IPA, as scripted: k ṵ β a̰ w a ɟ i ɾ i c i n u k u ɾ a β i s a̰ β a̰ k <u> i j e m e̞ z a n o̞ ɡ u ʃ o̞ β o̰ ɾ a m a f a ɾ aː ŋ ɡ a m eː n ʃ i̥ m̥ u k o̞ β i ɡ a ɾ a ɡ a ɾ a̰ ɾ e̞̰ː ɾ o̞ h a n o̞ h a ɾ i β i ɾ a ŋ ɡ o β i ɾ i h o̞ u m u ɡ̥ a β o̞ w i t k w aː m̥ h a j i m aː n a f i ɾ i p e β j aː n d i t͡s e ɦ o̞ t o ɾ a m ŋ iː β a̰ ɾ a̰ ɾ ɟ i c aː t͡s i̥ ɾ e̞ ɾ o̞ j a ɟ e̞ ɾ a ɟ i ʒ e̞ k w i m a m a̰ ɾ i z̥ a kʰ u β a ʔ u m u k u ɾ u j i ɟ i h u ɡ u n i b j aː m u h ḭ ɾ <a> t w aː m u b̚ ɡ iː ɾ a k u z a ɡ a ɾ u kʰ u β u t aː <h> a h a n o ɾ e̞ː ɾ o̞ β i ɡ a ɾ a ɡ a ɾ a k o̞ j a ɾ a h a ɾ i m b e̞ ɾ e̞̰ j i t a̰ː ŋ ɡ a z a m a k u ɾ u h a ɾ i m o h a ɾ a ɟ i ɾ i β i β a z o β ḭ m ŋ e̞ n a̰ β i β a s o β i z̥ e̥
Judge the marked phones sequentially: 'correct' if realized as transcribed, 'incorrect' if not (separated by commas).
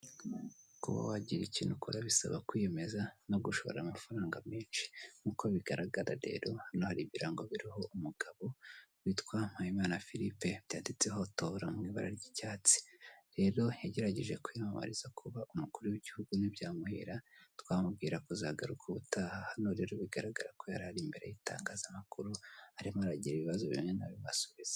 incorrect, correct, correct